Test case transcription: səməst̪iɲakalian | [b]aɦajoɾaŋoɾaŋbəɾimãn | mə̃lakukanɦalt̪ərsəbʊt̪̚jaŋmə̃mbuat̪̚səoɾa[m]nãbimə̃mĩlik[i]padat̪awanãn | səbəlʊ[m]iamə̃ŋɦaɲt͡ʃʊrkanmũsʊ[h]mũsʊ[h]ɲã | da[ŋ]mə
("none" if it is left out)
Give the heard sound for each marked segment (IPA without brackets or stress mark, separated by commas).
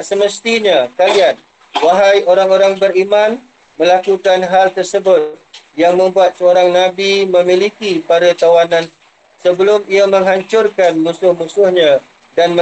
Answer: w, ŋ, i, m, h, h, n